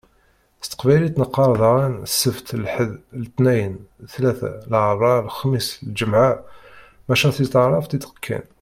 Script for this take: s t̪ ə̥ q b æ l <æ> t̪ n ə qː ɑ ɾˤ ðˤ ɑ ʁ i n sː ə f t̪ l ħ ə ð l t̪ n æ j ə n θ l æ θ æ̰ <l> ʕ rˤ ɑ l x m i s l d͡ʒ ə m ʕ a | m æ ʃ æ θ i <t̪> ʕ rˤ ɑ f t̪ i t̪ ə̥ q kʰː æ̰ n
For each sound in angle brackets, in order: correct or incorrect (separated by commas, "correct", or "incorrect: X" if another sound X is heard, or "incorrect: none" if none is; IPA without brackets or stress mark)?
incorrect: i, correct, correct